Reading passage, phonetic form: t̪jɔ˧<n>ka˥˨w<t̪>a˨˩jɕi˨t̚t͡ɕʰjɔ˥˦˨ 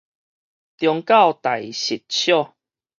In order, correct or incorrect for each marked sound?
incorrect: ŋ, correct

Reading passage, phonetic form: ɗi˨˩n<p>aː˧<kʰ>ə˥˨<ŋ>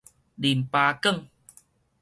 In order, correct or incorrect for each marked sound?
correct, incorrect: k, correct

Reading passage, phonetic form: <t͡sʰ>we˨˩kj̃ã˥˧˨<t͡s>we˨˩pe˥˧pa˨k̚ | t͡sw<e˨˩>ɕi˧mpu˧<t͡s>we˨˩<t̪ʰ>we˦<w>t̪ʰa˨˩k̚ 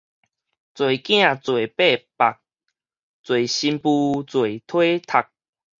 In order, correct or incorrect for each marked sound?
incorrect: t͡s, correct, correct, correct, correct, incorrect: none

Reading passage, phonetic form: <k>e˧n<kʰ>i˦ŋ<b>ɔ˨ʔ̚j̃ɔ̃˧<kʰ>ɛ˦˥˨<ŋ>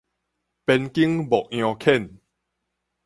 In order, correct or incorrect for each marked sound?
incorrect: p, incorrect: k, correct, correct, incorrect: n

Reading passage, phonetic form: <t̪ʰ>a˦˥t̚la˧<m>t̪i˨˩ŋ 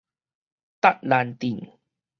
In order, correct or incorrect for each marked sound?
incorrect: t̪, incorrect: n

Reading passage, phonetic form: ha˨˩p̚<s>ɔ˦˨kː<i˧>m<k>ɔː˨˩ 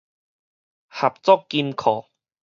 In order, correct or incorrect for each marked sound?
incorrect: t͡s, correct, incorrect: kʰ

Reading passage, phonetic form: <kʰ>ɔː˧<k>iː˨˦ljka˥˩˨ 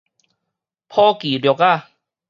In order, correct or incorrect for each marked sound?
incorrect: pʰ, correct

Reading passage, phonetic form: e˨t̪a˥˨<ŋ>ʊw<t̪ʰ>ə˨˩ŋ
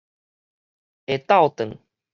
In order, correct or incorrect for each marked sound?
incorrect: none, incorrect: t̪

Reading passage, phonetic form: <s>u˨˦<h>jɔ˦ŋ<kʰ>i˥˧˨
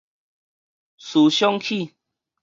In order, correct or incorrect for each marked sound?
correct, incorrect: ɕ, correct

